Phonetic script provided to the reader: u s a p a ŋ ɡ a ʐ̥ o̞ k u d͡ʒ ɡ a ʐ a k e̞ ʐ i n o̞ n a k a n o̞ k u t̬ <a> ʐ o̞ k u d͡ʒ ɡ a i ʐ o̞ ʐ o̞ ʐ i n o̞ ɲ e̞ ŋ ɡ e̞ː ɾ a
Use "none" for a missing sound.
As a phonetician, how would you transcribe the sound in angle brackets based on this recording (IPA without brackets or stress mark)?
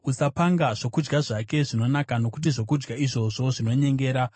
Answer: i